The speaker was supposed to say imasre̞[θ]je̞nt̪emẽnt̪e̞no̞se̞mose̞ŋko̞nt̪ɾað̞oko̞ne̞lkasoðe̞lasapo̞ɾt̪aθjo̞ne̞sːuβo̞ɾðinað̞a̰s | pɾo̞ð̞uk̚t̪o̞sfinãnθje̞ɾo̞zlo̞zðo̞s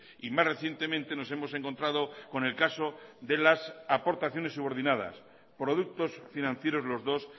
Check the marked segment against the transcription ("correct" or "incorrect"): correct